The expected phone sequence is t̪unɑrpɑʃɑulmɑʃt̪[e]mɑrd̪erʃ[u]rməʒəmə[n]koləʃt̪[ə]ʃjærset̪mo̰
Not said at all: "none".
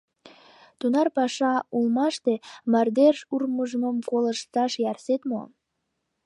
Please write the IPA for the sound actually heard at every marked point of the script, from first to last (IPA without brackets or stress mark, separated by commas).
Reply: e, u, m, ɑ